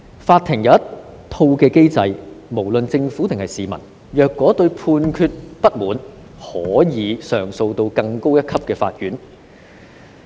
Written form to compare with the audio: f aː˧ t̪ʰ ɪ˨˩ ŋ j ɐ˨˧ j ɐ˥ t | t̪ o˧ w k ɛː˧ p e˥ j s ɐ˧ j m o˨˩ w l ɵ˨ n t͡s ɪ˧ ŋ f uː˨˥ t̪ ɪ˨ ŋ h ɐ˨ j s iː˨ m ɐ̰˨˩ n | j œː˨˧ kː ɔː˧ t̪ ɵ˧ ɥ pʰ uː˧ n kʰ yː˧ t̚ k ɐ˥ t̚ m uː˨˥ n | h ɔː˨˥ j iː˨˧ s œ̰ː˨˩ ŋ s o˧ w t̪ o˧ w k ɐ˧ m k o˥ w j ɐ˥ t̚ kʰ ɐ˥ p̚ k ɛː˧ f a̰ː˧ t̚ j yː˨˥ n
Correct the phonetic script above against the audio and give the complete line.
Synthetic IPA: f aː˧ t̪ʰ ɪ˨˩ ŋ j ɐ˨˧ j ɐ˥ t | t̪ʰ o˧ w k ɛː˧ k e˥ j t͡s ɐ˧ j m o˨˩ w l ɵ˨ n t͡s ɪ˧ ŋ f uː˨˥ t̪ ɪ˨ ŋ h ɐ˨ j s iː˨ m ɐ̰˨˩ n | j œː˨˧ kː ɔː˨˥ t̪ ɵ˧ ɥ pʰ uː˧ n kʰ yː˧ t̚ p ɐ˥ t̚ m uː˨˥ n | h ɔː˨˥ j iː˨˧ s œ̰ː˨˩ ŋ s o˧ w t̪ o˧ w k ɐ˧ ŋ k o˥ w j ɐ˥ t̚ kʰ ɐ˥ p̚ k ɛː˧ f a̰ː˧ t̚ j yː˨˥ n

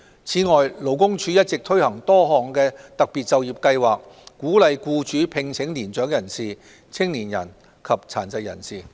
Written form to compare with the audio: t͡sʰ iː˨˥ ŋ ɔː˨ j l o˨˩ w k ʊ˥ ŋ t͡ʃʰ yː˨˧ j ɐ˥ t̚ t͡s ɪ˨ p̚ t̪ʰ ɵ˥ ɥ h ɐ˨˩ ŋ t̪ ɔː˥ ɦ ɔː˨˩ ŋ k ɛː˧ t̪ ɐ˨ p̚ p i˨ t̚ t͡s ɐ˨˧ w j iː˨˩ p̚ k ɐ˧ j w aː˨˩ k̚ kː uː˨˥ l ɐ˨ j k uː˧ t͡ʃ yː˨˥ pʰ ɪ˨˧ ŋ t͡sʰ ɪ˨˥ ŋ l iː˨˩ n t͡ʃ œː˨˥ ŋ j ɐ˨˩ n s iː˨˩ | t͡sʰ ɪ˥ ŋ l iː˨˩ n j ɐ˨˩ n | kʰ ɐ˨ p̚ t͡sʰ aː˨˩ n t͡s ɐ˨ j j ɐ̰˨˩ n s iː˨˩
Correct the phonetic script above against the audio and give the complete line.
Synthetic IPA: t͡sʰ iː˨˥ ŋ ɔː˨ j l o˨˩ w k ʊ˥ ŋ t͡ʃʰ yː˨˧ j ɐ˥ t̚ t͡s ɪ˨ k̚ t̪ʰ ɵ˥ ɥ h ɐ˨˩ ŋ t̪ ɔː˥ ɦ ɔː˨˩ ŋ k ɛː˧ t̪ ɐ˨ k̚ p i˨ t̚ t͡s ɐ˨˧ w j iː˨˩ p̚ k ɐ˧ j w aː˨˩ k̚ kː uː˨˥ l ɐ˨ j k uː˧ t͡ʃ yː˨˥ pʰ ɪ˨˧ ŋ t͡sʰ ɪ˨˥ ŋ l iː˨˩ n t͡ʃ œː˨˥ ŋ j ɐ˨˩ n s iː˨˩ | t͡sʰ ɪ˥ ŋ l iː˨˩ n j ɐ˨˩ n | kʰ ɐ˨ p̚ t͡sʰ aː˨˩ n t͡s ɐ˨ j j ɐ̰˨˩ n s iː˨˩

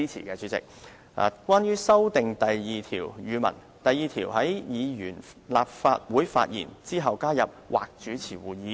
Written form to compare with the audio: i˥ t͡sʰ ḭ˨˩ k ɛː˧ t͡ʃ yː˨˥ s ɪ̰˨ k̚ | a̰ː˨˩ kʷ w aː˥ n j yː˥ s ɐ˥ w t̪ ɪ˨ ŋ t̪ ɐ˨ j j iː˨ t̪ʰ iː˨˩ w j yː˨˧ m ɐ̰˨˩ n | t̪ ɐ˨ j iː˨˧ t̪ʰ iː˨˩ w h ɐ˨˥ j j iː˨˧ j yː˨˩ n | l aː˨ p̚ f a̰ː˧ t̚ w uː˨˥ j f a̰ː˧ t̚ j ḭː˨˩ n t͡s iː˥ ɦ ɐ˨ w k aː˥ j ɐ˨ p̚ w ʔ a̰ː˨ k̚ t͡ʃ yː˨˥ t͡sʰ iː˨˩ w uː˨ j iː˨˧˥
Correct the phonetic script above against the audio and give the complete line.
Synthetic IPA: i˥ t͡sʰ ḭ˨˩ k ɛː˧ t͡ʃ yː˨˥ t͡s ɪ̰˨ k̚ | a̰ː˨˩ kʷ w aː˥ n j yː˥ s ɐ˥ w t̪ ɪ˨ ŋ t̪ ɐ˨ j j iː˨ t̪ʰ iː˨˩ w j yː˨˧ m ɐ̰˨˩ n | t̪ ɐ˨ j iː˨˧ t̪ʰ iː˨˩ w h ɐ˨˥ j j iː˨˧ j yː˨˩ n | l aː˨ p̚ f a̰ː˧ t̚ w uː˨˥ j f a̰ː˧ t̚ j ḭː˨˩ n t͡s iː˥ ɦ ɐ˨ w k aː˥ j ɐ˨ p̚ w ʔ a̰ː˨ k̚ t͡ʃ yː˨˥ t͡sʰ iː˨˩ w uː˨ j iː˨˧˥

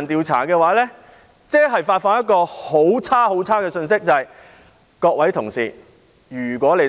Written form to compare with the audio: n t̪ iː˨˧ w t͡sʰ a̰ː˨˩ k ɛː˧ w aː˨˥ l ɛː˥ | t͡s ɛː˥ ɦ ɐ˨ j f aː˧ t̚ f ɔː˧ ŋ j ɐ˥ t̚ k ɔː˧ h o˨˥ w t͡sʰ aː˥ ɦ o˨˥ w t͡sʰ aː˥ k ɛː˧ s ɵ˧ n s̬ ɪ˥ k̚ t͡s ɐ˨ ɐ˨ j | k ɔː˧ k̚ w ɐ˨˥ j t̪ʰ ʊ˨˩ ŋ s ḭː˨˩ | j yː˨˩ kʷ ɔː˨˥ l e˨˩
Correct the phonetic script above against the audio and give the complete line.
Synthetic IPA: n t̪ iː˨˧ w t͡sʰ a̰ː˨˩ k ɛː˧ w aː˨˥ l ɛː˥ | t͡s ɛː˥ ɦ ɐ˨ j f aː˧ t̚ f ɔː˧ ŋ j ɐ˥ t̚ k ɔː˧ h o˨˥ w t͡sʰ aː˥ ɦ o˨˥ w t͡sʰ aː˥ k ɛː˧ s ɵ˧ n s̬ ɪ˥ k̚ t͡s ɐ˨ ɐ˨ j | k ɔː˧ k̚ w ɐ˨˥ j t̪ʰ ʊ˨˩ ŋ s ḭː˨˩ | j yː˨˩ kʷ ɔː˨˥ l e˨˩

